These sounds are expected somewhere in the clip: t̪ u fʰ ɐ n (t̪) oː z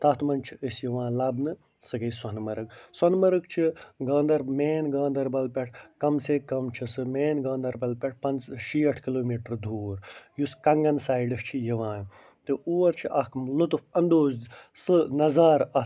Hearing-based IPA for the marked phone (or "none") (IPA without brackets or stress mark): d̪